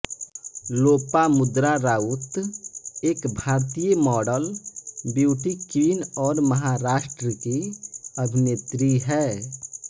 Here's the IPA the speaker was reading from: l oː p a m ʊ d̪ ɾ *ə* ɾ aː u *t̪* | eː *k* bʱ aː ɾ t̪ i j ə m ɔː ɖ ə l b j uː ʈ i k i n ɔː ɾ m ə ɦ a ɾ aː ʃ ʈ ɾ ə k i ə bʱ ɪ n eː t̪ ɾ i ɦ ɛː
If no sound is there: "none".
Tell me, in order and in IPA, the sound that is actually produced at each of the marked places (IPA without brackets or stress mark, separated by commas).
a, t̪, k